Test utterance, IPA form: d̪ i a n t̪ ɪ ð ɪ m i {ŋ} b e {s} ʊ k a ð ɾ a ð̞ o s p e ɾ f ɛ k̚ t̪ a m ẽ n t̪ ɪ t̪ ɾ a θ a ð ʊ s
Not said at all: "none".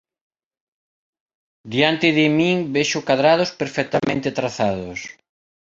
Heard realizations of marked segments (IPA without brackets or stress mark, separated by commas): ŋ, ʃ